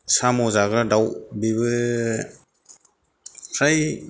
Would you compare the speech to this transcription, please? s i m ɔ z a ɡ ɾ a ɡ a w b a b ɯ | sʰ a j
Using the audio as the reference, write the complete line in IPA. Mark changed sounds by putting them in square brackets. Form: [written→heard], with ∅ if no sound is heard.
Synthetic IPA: s [i→a] m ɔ z a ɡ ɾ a [ɡ→d] a w b [a→i] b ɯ | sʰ a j